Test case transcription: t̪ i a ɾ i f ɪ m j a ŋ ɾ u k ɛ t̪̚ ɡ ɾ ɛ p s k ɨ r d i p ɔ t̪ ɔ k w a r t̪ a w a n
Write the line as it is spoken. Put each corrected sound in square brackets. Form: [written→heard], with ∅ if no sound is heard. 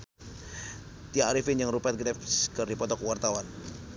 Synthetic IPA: t̪ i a ɾ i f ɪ [m→n] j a ŋ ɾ u [k→p] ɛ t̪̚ ɡ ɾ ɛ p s k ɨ r d i p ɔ t̪ ɔ k w a r t̪ a w a n